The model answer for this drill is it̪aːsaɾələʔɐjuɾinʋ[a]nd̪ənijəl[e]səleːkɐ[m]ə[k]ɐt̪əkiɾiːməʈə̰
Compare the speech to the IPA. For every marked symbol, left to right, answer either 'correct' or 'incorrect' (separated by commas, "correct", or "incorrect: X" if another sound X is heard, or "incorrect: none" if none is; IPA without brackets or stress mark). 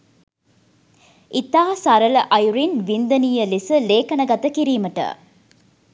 incorrect: i, incorrect: i, incorrect: n, incorrect: ɡ